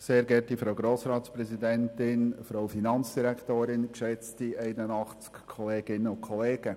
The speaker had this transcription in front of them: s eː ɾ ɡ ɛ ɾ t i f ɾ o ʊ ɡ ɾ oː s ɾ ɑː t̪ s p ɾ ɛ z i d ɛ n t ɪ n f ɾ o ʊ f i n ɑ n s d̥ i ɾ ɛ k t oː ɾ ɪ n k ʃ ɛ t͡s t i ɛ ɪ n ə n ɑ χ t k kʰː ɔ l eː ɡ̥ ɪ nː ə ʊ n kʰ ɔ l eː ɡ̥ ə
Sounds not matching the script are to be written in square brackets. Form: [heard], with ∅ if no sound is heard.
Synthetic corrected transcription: s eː ɾ ɡ ɛ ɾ t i f ɾ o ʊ ɡ ɾ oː s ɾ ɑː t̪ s p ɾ ɛ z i d ɛ n t ɪ n f ɾ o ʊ f i n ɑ n [t͡s] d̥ i ɾ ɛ k t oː ɾ ɪ n k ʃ ɛ t͡s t i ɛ ɪ n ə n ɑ χ [t͡s] k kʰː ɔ l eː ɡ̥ ɪ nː ə ʊ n kʰ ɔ l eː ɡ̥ ə

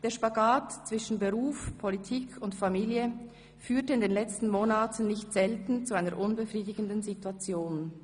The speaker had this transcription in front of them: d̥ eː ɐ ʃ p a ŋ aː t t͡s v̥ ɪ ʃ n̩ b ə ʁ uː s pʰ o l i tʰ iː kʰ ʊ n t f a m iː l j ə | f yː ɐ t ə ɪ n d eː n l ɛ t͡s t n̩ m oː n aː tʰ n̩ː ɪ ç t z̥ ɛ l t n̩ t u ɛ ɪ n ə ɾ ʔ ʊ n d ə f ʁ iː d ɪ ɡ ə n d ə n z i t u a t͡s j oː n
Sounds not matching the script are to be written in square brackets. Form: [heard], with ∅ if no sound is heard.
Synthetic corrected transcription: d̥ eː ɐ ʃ p a [ɡ] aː t t͡s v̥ ɪ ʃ n̩ b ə ʁ uː [f] pʰ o l i tʰ iː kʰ ʊ n t f a m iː l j ə | f yː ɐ t ə ɪ n d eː n l ɛ t͡s t n̩ m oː n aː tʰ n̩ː ɪ ç t z̥ ɛ l t n̩ [t͡s] u [a] ɪ n ə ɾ ʔ ʊ n [b] ə f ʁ iː d ɪ ɡ ə n d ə n z i t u a t͡s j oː n

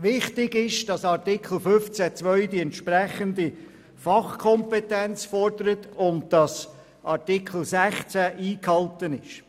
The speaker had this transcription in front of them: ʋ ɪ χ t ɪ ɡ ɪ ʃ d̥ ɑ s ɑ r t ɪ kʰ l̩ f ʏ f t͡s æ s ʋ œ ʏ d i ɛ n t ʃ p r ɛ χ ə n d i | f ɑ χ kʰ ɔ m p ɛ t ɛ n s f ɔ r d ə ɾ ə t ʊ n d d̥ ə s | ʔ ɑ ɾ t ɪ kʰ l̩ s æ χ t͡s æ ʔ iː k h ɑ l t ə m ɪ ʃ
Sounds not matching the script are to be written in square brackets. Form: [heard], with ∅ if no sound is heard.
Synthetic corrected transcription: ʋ ɪ χ t ɪ ɡ ɪ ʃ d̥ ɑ s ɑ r t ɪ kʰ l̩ f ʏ f t͡s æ [t͡s] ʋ œ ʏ d i ɛ n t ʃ p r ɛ χ ə n d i | f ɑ χ kʰ ɔ m p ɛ t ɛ n [t͡s] f ɔ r d ə ɾ ə t ʊ n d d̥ [ɑ] s | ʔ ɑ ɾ t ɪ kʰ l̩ s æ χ t͡s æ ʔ iː k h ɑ l t ə [n] ɪ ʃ

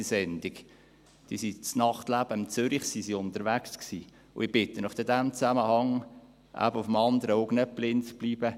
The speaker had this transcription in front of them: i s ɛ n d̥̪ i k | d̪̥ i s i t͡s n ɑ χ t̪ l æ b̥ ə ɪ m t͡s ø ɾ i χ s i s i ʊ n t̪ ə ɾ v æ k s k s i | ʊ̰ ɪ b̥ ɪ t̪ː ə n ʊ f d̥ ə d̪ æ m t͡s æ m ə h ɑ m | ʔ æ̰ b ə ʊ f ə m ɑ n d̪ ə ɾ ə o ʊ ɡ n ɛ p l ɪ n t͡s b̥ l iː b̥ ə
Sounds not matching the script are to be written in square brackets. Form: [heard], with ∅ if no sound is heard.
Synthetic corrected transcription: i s ɛ n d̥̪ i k | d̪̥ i s i t͡s n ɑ χ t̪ l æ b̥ ə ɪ m t͡s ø ɾ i χ s i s i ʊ n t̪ ə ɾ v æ k s k s i | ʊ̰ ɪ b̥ ɪ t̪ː ə n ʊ f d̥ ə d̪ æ m t͡s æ m ə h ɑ [ŋ] | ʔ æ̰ b ə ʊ f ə m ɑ n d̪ ə ɾ ə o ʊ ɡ n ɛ p l ɪ n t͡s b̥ l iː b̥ ə

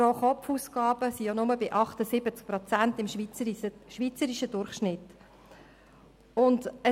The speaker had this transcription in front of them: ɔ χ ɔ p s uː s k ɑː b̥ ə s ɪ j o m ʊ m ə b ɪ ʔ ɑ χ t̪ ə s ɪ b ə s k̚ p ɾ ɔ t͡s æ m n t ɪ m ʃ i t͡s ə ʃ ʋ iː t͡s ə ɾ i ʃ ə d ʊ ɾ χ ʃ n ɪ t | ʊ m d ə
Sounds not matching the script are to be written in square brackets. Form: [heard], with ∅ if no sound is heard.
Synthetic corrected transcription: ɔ χ ɔ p [f] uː s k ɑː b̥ ə s [i] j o [n] ʊ m ə b ɪ ʔ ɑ χ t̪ ə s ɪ b ə [t͡s] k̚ p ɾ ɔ t͡s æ [∅] n t ɪ m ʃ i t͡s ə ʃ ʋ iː t͡s ə ɾ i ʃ ə d ʊ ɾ χ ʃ n ɪ t | ʊ [n] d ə

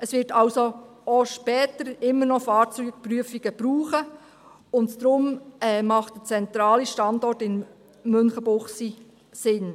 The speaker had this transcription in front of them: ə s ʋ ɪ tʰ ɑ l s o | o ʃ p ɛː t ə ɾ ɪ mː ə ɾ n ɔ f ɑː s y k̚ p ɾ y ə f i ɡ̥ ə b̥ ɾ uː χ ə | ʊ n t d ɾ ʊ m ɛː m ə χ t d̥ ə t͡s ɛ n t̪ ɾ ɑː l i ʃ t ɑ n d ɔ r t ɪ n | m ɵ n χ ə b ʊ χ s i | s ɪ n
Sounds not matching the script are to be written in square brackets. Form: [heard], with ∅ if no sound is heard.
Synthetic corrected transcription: ə s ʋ ɪ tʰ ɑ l s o | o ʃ p ɛː t ə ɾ ɪ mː ə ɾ n ɔ f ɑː [t͡s] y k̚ p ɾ y ə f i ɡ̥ ə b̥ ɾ uː χ ə | ʊ n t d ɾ ʊ m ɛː m [ɑ] χ t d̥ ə t͡s ɛ n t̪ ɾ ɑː l i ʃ t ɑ n d ɔ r t ɪ n | m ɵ n χ ə b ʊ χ s i | s ɪ n

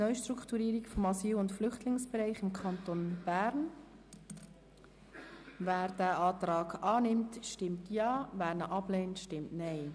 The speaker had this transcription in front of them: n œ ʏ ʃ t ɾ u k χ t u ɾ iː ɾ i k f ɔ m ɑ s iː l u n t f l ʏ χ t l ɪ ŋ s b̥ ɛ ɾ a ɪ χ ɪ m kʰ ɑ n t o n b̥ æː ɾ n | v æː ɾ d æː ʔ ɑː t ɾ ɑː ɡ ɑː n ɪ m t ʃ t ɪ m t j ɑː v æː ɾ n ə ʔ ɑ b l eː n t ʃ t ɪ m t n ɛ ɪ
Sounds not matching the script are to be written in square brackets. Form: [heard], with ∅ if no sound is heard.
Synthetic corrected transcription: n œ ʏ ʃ t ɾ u k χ t u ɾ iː ɾ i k f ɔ m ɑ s iː l [ʊ] n t f l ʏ χ t l ɪ ŋ s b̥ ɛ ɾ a ɪ χ ɪ m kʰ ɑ n t o n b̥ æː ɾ n | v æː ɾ d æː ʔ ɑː t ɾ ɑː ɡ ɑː n ɪ m t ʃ t ɪ m t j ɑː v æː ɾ n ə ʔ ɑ b l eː n t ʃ t ɪ m t n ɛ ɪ

